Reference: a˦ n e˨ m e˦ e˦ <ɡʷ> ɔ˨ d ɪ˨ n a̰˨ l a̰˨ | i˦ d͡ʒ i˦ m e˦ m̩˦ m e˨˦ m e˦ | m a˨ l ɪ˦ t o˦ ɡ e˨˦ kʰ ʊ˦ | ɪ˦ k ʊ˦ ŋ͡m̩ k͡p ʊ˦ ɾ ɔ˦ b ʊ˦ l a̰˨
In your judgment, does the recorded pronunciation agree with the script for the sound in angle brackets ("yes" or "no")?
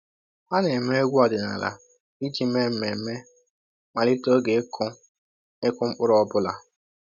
yes